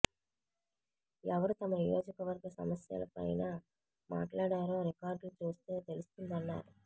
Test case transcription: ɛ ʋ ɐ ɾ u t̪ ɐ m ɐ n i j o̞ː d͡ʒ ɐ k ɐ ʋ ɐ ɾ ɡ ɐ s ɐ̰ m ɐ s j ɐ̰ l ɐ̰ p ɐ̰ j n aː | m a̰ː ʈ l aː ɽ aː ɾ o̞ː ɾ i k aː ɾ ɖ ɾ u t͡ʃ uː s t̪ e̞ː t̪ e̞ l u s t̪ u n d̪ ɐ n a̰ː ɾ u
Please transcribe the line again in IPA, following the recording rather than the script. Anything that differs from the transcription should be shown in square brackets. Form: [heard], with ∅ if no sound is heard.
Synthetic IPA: ɛ ʋ ɐ ɾ u t̪ ɐ m ɐ n i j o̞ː d͡ʒ ɐ k ɐ ʋ ɐ ɾ ɡ ɐ s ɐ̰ m ɐ s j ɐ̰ l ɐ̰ p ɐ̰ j n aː | m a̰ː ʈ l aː ɽ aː ɾ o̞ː ɾ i k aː ɾ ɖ [l] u t͡ʃ uː s t̪ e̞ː t̪ e̞ l u s t̪ u n d̪ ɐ [nː] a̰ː ɾ u